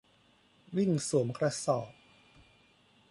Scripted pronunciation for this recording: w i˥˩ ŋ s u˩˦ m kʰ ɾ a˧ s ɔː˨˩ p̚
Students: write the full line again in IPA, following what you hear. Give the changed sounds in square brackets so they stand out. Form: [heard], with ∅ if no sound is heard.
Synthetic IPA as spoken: w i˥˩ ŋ s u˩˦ m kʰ ɾ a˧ s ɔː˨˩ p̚